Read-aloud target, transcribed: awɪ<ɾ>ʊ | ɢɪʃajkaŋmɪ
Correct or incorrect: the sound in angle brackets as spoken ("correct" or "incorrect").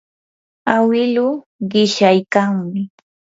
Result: incorrect